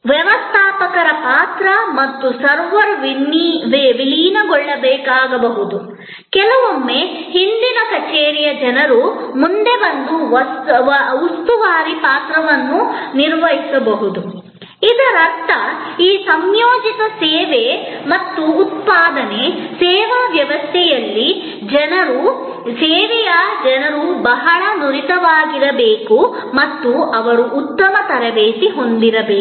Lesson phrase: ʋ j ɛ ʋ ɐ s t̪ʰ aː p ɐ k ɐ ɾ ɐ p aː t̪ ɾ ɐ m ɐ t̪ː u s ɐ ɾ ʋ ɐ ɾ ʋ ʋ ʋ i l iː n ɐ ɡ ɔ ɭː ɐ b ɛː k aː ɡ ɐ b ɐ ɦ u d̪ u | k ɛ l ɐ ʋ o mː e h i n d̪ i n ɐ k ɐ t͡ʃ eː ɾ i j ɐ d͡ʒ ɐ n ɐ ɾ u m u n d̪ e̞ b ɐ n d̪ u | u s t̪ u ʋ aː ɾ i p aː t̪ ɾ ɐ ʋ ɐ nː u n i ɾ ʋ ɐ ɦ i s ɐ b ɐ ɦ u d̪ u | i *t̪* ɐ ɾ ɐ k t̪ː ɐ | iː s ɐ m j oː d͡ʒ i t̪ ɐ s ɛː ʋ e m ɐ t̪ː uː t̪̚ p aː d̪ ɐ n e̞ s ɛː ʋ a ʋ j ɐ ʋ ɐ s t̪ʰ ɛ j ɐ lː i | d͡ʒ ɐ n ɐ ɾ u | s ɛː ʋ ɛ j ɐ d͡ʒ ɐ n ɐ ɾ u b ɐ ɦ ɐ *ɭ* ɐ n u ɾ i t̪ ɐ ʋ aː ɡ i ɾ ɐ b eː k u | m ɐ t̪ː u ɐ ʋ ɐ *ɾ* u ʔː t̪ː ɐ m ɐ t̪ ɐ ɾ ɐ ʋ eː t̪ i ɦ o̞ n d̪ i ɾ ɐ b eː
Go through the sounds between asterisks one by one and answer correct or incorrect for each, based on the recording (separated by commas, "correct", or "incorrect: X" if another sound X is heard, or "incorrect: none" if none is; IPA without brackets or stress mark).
incorrect: d̪, correct, correct